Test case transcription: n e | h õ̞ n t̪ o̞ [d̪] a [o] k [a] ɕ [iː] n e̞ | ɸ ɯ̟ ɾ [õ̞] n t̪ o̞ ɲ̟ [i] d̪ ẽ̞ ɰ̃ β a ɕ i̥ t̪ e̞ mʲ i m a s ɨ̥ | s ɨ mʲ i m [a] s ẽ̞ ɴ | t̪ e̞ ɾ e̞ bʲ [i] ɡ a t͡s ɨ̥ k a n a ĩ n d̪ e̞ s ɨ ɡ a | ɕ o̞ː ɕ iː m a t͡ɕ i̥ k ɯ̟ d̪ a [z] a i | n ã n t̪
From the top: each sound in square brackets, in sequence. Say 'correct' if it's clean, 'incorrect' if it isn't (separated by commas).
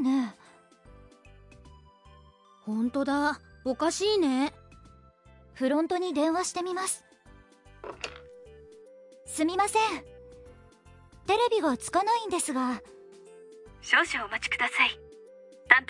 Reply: correct, correct, correct, correct, correct, correct, correct, correct, incorrect